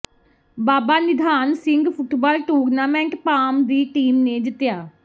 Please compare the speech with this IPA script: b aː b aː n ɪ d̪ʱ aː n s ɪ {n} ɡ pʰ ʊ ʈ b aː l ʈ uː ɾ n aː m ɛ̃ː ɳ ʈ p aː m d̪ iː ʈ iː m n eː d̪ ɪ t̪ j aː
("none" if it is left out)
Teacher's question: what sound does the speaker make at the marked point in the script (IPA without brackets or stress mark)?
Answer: ŋ